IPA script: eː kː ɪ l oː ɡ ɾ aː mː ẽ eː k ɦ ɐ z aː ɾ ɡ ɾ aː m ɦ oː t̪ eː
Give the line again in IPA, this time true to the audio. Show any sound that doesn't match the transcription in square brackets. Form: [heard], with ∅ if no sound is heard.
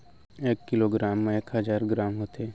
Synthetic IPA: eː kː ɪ l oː ɡ ɾ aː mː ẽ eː k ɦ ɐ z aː ɾ ɡ ɾ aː m ɦ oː t̪ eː